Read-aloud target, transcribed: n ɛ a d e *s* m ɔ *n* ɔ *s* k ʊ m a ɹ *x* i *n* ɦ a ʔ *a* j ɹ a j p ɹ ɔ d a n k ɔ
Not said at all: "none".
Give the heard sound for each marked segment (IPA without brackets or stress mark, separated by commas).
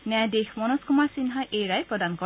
x, n, s, s, n, e